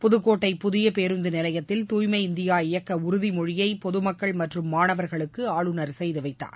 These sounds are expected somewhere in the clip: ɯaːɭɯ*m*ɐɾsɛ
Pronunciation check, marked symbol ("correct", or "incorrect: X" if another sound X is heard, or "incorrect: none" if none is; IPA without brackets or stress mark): incorrect: n